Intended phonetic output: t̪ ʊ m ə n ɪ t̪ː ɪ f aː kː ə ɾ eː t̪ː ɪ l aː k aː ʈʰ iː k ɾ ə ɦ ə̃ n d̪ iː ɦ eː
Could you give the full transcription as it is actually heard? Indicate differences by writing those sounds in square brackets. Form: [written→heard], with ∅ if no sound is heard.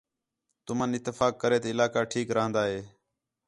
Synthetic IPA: t̪ ʊ m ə n ɪ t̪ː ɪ f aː kː ə ɾ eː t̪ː ɪ l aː k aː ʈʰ iː k ɾ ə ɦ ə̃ n d̪ [iː→aː] ɦ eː